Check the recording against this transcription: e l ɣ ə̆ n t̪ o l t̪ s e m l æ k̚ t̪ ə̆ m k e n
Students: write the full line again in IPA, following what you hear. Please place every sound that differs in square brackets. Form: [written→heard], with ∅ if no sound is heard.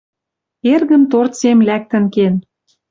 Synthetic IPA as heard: e [l→r] ɣ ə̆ n t̪ o [l→r] t̪ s e m l æ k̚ t̪ ə̆ [m→n] k e n